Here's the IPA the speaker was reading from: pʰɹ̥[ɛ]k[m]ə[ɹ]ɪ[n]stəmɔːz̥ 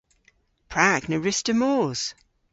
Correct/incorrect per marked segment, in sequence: incorrect: a, incorrect: n, correct, incorrect: none

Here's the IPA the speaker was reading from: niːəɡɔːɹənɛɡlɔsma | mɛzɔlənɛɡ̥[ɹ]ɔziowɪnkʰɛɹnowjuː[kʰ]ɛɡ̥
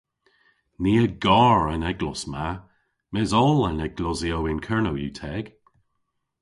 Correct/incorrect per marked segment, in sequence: incorrect: l, incorrect: tʰ

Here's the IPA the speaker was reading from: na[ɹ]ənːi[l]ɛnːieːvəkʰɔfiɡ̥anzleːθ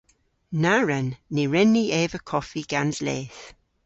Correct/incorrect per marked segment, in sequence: correct, incorrect: ɹ

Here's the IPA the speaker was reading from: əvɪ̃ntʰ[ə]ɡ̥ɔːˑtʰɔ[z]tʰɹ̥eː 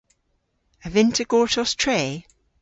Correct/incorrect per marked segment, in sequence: correct, incorrect: s

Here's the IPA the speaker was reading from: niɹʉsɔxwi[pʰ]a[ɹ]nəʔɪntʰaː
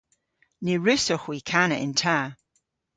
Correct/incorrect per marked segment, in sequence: incorrect: kʰ, incorrect: none

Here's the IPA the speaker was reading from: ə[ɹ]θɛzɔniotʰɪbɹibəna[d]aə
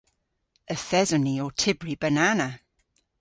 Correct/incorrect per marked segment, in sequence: incorrect: none, incorrect: n

